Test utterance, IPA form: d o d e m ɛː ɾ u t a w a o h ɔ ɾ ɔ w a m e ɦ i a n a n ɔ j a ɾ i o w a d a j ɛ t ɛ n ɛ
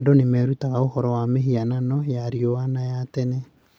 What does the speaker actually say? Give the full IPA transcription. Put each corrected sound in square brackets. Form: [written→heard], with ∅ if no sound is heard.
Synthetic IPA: d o [d→n] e m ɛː ɾ u t a [w→ɣ] a o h ɔ ɾ ɔ w a m e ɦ i a n a n ɔ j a ɾ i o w a [d→n] a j [ɛ→a] t ɛ n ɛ